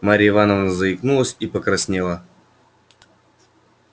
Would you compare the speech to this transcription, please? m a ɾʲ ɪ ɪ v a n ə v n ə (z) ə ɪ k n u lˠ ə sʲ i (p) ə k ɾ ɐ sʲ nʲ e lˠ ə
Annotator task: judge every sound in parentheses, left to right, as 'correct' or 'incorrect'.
correct, correct

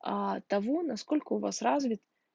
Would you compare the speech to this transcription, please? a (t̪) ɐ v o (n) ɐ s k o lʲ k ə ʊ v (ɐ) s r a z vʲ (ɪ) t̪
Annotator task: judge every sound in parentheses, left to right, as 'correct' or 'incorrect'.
correct, correct, incorrect: a, correct

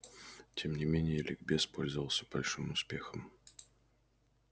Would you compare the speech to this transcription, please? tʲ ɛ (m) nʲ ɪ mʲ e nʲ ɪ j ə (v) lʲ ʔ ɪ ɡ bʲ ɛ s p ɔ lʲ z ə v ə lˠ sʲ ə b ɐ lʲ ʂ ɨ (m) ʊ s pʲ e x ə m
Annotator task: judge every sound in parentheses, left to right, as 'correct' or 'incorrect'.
correct, incorrect: none, correct

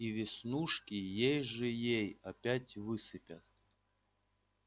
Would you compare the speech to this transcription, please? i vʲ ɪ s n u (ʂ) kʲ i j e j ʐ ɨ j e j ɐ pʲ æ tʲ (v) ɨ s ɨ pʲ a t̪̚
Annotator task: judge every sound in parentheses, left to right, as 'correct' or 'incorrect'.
correct, correct

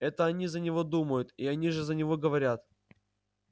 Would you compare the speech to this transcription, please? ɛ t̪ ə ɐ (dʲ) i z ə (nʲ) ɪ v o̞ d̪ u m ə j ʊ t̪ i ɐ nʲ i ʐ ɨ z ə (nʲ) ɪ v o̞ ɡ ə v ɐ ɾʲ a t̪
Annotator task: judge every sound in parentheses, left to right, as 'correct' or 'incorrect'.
incorrect: nʲ, correct, correct

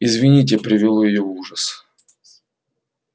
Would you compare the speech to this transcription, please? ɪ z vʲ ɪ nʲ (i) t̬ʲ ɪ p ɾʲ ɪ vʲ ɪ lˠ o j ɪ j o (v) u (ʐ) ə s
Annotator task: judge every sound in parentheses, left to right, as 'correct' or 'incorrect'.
correct, correct, correct

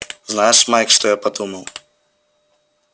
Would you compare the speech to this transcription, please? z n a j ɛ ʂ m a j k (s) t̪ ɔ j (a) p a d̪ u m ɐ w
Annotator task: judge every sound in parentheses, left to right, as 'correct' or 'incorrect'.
incorrect: ʂ, correct

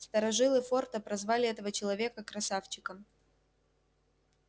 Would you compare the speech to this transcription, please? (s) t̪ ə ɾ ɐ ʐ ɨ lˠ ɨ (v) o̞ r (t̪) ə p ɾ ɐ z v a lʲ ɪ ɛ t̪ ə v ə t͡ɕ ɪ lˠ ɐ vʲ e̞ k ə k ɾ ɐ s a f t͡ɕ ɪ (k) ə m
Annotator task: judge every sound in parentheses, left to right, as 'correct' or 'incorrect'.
correct, incorrect: f, correct, correct

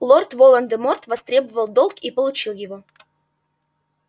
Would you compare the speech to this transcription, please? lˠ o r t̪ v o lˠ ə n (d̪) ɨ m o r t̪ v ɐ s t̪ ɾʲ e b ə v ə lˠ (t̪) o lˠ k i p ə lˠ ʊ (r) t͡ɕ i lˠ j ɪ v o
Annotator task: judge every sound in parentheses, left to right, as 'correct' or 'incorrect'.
correct, incorrect: d̪, incorrect: none

